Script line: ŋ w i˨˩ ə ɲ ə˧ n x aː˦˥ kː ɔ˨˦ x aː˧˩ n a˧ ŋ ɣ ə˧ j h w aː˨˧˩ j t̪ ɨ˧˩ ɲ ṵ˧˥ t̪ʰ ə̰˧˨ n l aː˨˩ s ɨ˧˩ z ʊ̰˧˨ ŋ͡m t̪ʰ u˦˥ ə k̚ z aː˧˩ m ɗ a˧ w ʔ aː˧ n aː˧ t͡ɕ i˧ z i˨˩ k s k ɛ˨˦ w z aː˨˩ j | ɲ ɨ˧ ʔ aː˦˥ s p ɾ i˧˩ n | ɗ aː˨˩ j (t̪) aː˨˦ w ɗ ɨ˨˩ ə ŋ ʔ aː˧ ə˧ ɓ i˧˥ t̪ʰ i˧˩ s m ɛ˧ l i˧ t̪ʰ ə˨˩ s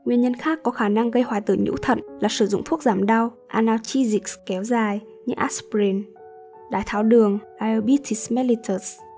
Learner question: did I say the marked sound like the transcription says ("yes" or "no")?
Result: no